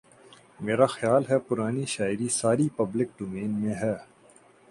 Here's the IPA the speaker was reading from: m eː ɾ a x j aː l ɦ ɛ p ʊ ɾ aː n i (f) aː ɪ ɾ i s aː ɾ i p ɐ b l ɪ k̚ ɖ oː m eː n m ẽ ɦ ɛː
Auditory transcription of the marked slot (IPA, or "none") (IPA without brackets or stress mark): ʃ